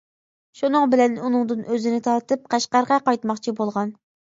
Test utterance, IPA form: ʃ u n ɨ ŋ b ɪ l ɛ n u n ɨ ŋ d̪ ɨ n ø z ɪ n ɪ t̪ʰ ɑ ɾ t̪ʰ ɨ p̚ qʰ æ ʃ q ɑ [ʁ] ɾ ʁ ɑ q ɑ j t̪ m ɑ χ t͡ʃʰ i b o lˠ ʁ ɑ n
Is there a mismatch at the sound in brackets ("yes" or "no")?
yes